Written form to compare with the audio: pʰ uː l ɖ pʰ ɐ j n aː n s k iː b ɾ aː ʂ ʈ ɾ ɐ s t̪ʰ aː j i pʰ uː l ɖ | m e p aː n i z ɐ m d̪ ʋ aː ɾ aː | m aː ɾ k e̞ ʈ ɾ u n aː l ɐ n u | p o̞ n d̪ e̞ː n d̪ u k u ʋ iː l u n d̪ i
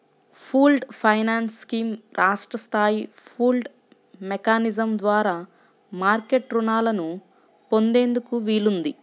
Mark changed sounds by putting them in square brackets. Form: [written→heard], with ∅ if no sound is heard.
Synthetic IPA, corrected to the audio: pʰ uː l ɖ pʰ ɐ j n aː n s k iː [b→m] ɾ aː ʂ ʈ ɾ ɐ s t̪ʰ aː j i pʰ uː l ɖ | m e [p→k] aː n i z ɐ m d̪ ʋ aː ɾ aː | m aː ɾ k e̞ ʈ ɾ u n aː l ɐ n u | p o̞ n d̪ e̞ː n d̪ u k u ʋ iː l u n d̪ i